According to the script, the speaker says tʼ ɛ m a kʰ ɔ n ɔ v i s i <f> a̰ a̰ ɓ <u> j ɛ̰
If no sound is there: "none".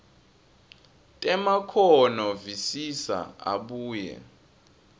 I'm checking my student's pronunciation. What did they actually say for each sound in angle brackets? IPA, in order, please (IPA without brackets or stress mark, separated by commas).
s, uː